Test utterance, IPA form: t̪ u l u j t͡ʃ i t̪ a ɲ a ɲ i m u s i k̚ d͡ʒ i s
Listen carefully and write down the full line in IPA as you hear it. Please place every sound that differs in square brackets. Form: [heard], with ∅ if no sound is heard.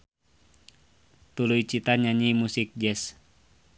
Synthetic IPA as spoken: t̪ u l u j t͡ʃ i t̪ a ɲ a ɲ i m u s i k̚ d͡ʒ [ɛ] s